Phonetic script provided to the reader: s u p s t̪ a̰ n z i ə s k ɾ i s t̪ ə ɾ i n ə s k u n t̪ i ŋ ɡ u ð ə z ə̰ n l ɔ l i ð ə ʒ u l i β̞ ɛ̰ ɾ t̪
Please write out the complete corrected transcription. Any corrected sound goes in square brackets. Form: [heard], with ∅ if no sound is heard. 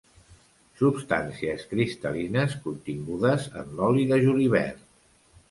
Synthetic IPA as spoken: s u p s t̪ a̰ n [s] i ə s k ɾ i s t̪ ə [l] i n ə s k u n t̪ i ŋ ɡ u ð ə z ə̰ n l ɔ l i ð ə ʒ u l i β̞ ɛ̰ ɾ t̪

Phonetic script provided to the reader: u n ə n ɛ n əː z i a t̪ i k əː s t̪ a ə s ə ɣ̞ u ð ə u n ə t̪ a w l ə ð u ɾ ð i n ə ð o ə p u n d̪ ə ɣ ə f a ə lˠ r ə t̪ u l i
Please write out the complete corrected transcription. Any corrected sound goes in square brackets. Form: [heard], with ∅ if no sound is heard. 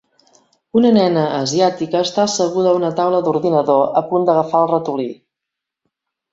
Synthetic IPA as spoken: u n ə n ɛ n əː z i a t̪ i k əː s t̪ a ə s ə ɣ̞ u ð ə u n ə t̪ a w l ə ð u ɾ ð i n ə ð o ə p u n d̪ ə ɣ ə f a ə lˠ r ə t̪ u l i

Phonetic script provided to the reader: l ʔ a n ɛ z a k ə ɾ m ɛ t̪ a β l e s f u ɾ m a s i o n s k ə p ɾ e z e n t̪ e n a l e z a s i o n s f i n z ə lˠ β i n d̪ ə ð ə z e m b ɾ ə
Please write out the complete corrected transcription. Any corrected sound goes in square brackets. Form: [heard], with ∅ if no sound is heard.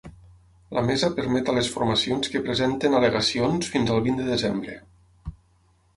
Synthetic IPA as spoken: l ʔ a [m] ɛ z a [p] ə ɾ m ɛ t̪ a [∅] l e s f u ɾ m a s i o n s k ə p ɾ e z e n t̪ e n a l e [ɣ] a s i o n s f i n z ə lˠ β i n d̪ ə ð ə z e m b ɾ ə

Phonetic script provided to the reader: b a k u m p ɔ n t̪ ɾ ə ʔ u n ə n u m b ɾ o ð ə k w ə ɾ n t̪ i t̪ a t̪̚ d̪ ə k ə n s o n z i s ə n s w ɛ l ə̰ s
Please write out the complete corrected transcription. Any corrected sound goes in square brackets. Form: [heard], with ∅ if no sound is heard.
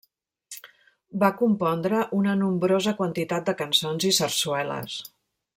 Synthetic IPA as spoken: b a k u m p ɔ n [d̪] ɾ ə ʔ u n ə n u m b ɾ o [z] ə k w ə [∅] n t̪ i t̪ a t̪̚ d̪ ə k ə n s o n z i s ə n s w ɛ l ə̰ s

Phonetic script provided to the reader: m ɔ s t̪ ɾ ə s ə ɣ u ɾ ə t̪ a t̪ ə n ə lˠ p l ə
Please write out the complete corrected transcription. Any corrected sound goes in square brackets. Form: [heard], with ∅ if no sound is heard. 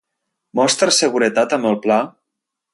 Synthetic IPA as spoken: m ɔ s t̪ ɾ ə s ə ɣ u ɾ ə t̪ a t̪ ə [m] ə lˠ p l [a]

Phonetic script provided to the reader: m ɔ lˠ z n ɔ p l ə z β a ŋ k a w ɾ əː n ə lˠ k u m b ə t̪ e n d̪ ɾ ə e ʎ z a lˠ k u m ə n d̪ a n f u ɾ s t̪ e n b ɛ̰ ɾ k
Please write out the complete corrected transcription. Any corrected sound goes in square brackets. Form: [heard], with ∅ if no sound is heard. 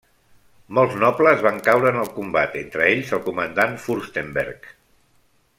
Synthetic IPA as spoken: m ɔ lˠ z n ɔ p l ə z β a ŋ k a w ɾ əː n ə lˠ k u m b [a] t̪ e n [t̪] ɾ ə e ʎ z [ə] lˠ k u m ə n d̪ a n f u ɾ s t̪ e [m] b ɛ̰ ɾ k

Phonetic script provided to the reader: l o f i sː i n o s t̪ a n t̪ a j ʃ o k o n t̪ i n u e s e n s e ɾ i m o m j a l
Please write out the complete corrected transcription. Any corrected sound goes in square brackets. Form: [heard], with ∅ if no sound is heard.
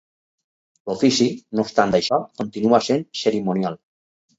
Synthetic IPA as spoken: l o f i [s] i n o s t̪ a n [d̪] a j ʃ [ɔ] k o n t̪ i n u [a] s e n s e ɾ i m o [n] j a l

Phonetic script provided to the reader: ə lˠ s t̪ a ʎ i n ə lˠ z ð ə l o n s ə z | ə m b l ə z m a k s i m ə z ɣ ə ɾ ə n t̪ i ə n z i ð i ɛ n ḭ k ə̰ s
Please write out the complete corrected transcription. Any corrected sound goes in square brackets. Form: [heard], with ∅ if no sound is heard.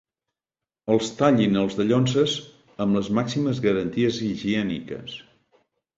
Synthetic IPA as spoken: ə lˠ s t̪ a ʎ i n ə lˠ z ð ə [ʎ] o n s ə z | ə m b l ə z m a k s i m ə z ɣ ə ɾ ə n t̪ i ə [∅] z i [ʒ] i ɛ n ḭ k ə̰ s

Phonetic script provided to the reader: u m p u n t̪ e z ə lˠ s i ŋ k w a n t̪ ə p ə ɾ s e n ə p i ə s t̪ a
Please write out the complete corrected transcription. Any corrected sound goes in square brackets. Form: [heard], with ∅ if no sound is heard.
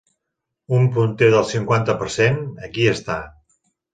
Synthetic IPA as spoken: u m p u n t̪ e [ð] ə lˠ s i ŋ k w a n t̪ ə p ə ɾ s e n ə [k] i ə s t̪ a

